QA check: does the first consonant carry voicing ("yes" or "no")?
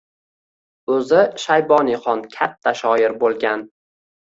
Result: yes